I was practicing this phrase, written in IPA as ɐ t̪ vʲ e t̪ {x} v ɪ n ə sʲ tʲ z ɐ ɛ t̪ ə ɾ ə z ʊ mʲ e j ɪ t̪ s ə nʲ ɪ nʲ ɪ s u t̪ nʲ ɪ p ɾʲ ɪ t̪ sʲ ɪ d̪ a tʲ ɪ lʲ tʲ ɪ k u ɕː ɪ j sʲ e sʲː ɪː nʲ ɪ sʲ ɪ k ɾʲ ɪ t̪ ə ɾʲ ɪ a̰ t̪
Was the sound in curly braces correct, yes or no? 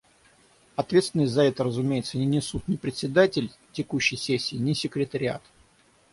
no